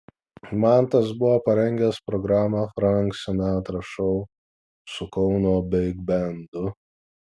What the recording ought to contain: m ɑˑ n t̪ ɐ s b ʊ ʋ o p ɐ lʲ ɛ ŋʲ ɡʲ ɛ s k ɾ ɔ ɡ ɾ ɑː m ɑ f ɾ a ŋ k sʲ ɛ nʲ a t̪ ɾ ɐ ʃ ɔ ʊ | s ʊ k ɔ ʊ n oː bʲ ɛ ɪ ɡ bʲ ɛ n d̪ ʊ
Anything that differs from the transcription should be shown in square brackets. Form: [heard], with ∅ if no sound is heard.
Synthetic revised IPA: m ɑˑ n t̪ ɐ s b ʊ ʋ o p ɐ [ɾʲ] ɛ ŋʲ ɡʲ ɛ s [p] ɾ ɔ ɡ ɾ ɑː m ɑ f ɾ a ŋ k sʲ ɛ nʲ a t̪ ɾ ɐ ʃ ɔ ʊ | s ʊ k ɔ ʊ n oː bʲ ɛ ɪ ɡ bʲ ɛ n d̪ ʊ

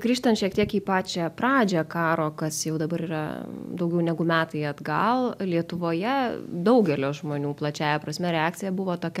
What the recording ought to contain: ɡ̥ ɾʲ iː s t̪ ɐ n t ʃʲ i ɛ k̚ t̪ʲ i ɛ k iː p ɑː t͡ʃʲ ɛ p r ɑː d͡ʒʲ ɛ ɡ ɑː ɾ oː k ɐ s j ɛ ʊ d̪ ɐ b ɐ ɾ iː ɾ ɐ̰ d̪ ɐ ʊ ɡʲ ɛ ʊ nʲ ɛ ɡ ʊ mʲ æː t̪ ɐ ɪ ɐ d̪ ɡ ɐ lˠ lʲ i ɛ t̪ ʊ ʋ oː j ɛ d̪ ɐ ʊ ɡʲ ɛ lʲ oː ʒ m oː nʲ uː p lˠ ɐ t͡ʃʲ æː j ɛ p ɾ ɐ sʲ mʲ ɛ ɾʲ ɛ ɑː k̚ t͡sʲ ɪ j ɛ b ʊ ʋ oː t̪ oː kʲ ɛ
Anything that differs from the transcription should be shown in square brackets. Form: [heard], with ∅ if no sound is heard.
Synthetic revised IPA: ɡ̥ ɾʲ iː [ʃ] t̪ ɐ n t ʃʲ i ɛ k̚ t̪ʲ i ɛ k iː p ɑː t͡ʃʲ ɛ p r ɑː d͡ʒʲ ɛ [k] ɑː ɾ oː k ɐ s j ɛ ʊ d̪ ɐ b ɐ ɾ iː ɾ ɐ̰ d̪ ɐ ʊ ɡʲ ɛ ʊ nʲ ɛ ɡ ʊ mʲ æː t̪ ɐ ɪ ɐ d̪ ɡ ɐ lˠ lʲ i ɛ t̪ ʊ ʋ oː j ɛ d̪ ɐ ʊ ɡʲ ɛ lʲ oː ʒ m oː nʲ uː p lˠ ɐ t͡ʃʲ æː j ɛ p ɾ ɐ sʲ mʲ ɛ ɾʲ ɛ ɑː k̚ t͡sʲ ɪ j ɛ b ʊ ʋ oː t̪ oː kʲ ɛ

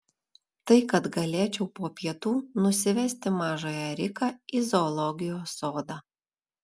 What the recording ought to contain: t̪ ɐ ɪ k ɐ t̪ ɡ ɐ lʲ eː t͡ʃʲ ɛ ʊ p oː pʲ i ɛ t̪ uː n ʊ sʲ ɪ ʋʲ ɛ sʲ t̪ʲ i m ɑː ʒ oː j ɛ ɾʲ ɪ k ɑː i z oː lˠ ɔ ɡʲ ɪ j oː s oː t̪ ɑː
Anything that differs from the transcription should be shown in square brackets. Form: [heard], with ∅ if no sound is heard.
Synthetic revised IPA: t̪ ɐ ɪ k ɐ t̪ ɡ ɐ lʲ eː t͡ʃʲ ɛ ʊ p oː pʲ i ɛ t̪ uː n ʊ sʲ ɪ ʋʲ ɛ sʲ t̪ʲ [ɪ] m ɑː ʒ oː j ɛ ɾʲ ɪ k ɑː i z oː lˠ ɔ ɡʲ ɪ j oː s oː [d̪] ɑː

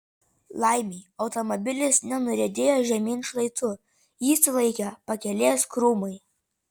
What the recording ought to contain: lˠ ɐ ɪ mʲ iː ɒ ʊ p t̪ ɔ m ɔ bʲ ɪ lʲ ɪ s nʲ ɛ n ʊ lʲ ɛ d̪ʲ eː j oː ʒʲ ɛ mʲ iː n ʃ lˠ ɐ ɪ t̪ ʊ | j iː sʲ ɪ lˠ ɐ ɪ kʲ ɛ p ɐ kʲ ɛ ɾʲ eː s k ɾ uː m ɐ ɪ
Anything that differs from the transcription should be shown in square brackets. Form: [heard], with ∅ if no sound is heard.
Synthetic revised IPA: lˠ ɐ ɪ mʲ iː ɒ ʊ [∅] t̪ ɔ m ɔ bʲ ɪ lʲ ɪ s nʲ ɛ n ʊ [ɾʲ] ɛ d̪ʲ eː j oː ʒʲ ɛ mʲ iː n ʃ lˠ ɐ ɪ t̪ ʊ | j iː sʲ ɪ lˠ ɐ ɪ kʲ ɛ p ɐ kʲ ɛ [lʲ] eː s k ɾ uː m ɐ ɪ

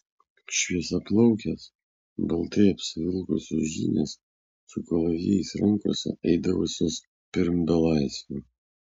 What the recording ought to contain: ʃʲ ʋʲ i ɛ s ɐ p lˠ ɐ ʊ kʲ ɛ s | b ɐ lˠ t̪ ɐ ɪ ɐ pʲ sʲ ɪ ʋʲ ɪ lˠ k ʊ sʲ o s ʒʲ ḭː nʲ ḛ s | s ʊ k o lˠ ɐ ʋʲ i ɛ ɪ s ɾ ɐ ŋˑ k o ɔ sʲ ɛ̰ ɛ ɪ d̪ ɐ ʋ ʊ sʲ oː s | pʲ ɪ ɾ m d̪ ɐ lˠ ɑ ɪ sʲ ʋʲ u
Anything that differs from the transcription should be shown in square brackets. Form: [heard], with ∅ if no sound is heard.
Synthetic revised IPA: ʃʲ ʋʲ i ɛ s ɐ p lˠ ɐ ʊ kʲ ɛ s | b ɐ lˠ t̪ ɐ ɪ ɐ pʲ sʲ ɪ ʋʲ ɪ lˠ k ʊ sʲ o s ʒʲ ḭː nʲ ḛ s | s ʊ k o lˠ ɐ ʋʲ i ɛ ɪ s ɾ ɐ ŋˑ k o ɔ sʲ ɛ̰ ɛ ɪ d̪ ɐ ʋ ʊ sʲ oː s | pʲ ɪ ɾ m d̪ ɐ lˠ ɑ ɪ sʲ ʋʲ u

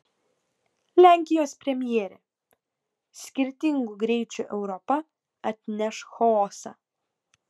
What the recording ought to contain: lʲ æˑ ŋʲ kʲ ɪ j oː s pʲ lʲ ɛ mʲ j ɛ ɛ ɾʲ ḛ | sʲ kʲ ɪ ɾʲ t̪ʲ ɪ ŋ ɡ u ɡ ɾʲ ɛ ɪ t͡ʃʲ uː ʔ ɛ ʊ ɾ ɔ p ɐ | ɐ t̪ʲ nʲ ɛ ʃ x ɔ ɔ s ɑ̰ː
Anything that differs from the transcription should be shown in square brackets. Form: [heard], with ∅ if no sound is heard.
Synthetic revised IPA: lʲ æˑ ŋʲ kʲ ɪ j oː s pʲ [ɾʲ] ɛ mʲ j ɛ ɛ ɾʲ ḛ | sʲ kʲ ɪ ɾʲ t̪ʲ ɪ ŋ ɡ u ɡ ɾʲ ɛ ɪ t͡ʃʲ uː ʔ ɛ ʊ ɾ ɔ p ɐ | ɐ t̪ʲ nʲ ɛ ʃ x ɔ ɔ s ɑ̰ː

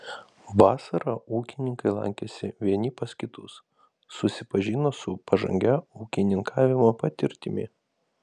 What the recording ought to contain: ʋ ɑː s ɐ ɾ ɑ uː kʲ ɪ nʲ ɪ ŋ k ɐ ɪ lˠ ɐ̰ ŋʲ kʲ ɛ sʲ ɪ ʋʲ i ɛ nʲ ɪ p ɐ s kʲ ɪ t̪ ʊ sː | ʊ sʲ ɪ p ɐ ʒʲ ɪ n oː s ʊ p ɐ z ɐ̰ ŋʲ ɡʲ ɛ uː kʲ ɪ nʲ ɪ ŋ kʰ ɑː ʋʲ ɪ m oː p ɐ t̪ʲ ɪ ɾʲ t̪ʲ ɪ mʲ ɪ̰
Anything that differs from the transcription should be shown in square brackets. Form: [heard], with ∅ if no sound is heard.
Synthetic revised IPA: ʋ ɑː s ɐ ɾ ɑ uː kʲ ɪ nʲ ɪ ŋ k ɐ ɪ lˠ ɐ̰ ŋʲ kʲ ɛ sʲ ɪ ʋʲ i ɛ nʲ ɪ p ɐ s kʲ ɪ t̪ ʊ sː | ʊ sʲ ɪ p ɐ ʒʲ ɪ n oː s ʊ p ɐ [ʒ] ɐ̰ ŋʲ ɡʲ ɛ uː kʲ ɪ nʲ ɪ ŋ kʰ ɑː ʋʲ ɪ m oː p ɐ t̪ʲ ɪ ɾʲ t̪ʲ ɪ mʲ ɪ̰

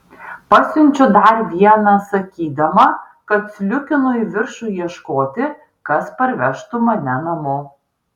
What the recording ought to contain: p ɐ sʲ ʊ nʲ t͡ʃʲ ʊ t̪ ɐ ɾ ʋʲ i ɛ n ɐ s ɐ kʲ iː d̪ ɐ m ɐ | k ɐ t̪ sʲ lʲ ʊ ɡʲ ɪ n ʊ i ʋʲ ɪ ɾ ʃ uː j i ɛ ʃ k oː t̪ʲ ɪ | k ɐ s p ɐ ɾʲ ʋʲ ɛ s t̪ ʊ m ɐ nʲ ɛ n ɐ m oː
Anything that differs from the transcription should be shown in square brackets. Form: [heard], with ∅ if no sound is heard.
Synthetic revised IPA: p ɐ sʲ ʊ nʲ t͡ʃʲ ʊ [d̪] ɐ ɾ ʋʲ i ɛ n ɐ s ɐ kʲ iː d̪ ɐ m ɐ | k ɐ t̪ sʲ lʲ ʊ [kʲ] ɪ n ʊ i ʋʲ ɪ ɾ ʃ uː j i ɛ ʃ k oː t̪ʲ ɪ | k ɐ s p ɐ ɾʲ ʋʲ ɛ [ʃ] t̪ ʊ m ɐ nʲ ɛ n ɐ m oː

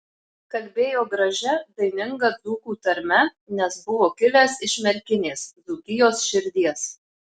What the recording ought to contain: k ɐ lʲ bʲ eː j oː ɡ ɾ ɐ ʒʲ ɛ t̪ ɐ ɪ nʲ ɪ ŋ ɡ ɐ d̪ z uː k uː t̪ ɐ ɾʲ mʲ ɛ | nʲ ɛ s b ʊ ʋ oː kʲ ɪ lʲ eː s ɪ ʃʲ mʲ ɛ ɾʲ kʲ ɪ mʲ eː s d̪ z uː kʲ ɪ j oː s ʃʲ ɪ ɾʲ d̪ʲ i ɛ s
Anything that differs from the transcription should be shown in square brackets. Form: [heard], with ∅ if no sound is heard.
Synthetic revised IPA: k ɐ lʲ bʲ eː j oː ɡ ɾ ɐ ʒʲ ɛ [d̪] ɐ ɪ nʲ ɪ ŋ ɡ ɐ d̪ z uː k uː t̪ ɐ ɾʲ mʲ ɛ | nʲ ɛ s b ʊ ʋ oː kʲ ɪ lʲ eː s ɪ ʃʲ mʲ ɛ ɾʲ kʲ ɪ [nʲ] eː s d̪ z uː kʲ ɪ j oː s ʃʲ ɪ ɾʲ d̪ʲ i ɛ s

